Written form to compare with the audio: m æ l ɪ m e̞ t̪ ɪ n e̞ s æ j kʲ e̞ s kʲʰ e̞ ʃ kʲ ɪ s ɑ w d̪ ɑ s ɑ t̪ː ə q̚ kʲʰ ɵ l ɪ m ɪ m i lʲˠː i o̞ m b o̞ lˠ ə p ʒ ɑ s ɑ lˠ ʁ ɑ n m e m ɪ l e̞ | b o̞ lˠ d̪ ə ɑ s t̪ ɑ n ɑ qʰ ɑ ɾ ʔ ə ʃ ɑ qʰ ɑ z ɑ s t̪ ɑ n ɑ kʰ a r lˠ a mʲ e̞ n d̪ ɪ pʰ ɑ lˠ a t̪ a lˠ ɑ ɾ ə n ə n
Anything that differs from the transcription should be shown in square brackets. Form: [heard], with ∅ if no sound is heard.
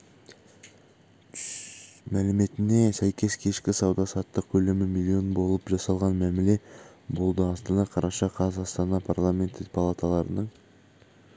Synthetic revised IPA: m æ l ɪ m e̞ t̪ ɪ n e̞ s æ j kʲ e̞ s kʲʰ e̞ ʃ kʲ ɪ s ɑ w d̪ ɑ s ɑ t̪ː ə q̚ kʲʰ ɵ l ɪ m ɪ m i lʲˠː i o̞ [n] b o̞ lˠ ə p ʒ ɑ s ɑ lˠ ʁ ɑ n m [æ] m ɪ l e̞ | b o̞ lˠ d̪ ə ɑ s t̪ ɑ n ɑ qʰ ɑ ɾ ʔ [ɑ] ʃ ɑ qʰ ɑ z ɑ s t̪ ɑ n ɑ [pʰ] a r lˠ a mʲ e̞ n [t̪] ɪ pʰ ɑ lˠ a t̪ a lˠ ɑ ɾ ə n ə [ɴ]